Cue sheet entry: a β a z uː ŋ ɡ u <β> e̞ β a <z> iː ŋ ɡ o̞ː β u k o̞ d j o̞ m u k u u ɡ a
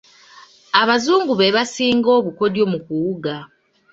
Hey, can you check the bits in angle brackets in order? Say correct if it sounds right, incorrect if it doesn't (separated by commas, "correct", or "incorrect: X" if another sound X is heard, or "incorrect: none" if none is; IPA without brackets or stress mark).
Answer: correct, incorrect: s